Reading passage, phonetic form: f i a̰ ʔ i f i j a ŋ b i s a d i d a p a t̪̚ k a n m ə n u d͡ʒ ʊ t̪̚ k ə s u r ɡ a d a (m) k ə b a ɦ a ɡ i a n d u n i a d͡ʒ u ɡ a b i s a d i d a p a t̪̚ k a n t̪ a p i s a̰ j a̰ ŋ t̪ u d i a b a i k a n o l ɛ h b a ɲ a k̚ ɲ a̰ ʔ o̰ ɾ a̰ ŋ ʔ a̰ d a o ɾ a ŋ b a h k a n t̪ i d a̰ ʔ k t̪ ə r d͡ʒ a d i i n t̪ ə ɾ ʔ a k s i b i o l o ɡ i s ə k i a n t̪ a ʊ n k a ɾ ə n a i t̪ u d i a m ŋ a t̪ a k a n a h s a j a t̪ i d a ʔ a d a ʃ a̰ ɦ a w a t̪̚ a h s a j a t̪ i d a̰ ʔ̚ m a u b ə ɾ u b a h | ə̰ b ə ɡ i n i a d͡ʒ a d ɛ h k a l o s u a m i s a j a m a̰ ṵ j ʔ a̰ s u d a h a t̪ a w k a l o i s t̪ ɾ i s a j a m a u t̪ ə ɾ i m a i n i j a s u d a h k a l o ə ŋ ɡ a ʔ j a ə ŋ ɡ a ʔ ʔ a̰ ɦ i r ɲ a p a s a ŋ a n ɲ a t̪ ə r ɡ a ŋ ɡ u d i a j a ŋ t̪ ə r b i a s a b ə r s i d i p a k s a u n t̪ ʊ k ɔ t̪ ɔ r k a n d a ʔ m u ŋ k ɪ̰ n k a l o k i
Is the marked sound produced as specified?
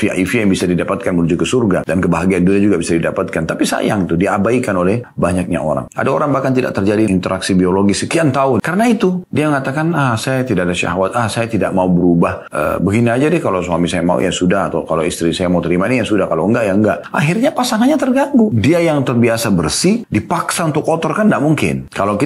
no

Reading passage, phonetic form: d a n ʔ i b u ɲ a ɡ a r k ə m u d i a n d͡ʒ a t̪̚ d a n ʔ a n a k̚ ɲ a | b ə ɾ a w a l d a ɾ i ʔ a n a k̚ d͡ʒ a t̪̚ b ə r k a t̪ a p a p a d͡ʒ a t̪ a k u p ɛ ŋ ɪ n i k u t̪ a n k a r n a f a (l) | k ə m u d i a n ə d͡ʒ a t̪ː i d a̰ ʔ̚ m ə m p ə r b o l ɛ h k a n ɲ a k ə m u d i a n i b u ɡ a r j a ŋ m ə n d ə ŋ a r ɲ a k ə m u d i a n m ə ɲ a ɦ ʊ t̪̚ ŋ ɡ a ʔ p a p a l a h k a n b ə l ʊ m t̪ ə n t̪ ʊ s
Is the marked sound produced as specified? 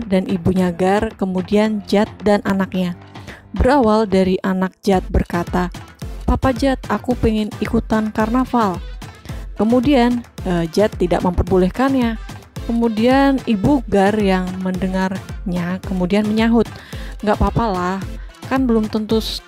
yes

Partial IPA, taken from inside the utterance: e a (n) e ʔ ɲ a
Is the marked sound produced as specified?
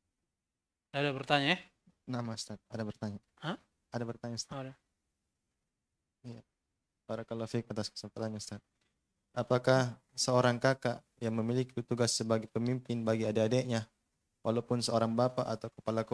no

